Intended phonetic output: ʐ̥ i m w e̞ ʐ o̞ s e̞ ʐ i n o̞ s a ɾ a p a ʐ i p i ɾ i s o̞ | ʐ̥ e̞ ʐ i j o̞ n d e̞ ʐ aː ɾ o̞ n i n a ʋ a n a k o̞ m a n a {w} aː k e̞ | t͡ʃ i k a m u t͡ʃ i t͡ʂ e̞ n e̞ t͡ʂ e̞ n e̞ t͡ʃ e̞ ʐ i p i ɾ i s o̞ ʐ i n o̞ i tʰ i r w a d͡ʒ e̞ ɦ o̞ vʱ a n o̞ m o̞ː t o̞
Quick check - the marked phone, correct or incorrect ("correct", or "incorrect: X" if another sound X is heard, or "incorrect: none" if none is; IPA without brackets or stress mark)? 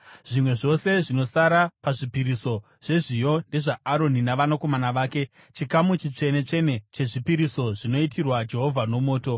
incorrect: ʋ